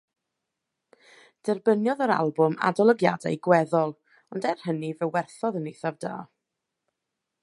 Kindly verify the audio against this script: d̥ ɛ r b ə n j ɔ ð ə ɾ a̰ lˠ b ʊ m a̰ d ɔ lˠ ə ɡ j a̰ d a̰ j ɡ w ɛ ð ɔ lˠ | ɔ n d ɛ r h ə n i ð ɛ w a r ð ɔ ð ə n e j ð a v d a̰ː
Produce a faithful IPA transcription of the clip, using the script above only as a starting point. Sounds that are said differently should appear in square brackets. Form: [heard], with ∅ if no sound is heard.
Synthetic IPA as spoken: d̥ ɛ r b ə n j ɔ ð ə ɾ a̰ lˠ b ʊ m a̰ d ɔ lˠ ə ɡ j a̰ d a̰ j ɡ w ɛ ð ɔ lˠ | ɔ n d ɛ r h ə n i [v] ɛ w [ɛ] r [θ] ɔ ð ə n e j [θ] a v d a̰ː